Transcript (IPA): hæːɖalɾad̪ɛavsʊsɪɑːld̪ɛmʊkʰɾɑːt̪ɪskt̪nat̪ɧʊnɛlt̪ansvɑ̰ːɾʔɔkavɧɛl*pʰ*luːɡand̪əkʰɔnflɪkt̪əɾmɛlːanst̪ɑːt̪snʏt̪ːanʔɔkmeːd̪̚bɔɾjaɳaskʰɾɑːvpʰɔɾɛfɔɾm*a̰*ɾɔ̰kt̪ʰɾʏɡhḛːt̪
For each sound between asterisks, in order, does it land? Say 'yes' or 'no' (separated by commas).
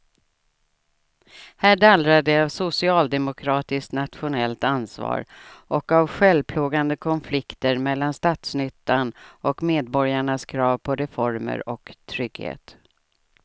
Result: yes, no